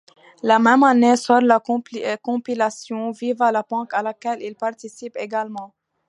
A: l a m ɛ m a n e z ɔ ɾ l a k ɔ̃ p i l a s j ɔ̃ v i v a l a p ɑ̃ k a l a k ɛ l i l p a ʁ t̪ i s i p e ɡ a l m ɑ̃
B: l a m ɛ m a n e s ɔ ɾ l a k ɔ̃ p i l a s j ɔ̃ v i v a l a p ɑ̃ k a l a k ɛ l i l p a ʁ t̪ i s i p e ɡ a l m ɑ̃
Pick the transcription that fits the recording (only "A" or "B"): B